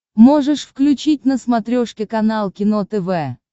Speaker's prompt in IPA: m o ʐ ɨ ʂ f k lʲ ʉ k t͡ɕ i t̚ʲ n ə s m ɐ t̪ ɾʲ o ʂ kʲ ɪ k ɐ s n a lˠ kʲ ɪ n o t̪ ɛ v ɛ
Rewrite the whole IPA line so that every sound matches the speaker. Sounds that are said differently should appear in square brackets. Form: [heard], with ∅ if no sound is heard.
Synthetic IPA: m o ʐ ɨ ʂ f k lʲ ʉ [∅] t͡ɕ i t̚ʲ n ə s m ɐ t̪ ɾʲ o ʂ kʲ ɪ k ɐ [∅] n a lˠ kʲ ɪ n o t̪ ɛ v ɛ